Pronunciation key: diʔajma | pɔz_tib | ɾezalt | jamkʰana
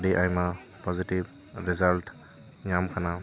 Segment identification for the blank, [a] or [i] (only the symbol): i